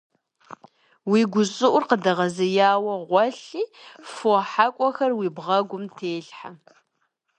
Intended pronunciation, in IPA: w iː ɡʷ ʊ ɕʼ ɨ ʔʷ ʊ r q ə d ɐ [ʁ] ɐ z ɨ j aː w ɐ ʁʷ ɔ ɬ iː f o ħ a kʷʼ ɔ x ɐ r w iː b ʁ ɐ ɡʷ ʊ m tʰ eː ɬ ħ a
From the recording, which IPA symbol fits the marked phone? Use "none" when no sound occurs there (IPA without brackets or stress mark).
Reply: ʁ